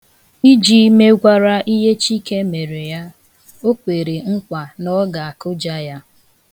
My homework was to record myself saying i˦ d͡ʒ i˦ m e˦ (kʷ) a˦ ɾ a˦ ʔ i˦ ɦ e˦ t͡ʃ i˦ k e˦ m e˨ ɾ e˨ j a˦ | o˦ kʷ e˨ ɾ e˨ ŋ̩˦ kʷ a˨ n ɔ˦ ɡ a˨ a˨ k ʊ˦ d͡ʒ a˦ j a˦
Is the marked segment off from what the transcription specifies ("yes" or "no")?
yes